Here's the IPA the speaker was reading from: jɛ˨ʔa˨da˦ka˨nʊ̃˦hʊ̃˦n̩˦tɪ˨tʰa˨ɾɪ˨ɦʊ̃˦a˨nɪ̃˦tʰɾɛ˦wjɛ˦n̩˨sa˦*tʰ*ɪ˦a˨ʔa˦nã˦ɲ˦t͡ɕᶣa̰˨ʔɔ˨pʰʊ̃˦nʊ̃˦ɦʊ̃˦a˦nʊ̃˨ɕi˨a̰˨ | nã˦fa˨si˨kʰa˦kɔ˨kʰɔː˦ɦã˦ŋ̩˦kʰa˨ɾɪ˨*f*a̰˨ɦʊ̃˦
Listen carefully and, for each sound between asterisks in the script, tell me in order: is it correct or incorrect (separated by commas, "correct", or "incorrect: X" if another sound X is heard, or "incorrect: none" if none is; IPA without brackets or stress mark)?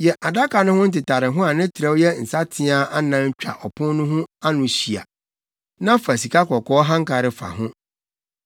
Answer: correct, correct